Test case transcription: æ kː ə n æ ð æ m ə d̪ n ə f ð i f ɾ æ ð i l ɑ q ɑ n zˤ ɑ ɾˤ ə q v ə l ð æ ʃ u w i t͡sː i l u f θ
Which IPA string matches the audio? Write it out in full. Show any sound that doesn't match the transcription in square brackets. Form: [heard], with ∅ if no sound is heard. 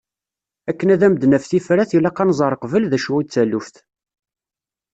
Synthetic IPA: æ kː ə n æ ð æ m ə d̪ n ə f [θ] i f ɾ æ [θ] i l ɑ q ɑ n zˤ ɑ ɾˤ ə q v ə l ð æ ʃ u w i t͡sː [æ] l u f θ